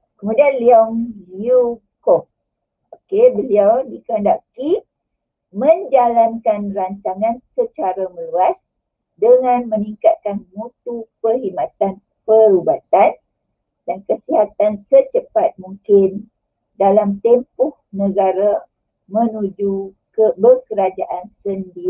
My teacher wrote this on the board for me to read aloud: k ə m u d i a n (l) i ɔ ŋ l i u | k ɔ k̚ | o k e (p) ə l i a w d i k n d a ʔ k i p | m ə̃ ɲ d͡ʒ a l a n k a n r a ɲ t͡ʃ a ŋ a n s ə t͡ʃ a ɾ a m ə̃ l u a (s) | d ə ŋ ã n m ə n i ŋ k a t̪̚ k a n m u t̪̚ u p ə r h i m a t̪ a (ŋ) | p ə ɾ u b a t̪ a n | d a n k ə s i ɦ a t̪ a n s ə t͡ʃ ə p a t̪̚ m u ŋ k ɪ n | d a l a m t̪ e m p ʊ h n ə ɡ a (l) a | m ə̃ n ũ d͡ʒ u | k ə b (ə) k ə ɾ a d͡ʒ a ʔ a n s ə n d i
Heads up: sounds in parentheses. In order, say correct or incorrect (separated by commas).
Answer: correct, incorrect, correct, incorrect, incorrect, correct